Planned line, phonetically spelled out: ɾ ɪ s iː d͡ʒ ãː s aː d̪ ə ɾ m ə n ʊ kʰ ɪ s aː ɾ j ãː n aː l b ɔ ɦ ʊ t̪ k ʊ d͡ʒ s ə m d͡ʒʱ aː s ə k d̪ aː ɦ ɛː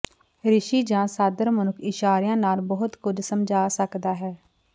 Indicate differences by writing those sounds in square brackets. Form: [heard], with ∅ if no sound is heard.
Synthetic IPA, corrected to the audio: ɾ ɪ [ʃ] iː d͡ʒ ãː s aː d̪ ə ɾ m ə n ʊ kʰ ɪ [ʃ] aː ɾ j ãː n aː l b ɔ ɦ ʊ t̪ k ʊ d͡ʒ s ə m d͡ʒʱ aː s ə k d̪ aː ɦ ɛː